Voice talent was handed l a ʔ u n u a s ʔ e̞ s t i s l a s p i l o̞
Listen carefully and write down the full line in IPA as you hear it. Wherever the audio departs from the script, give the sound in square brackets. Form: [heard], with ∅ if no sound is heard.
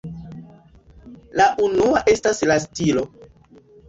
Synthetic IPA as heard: l a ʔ u n u a [∅] ʔ e̞ s t [a] s l a s [t] i l o̞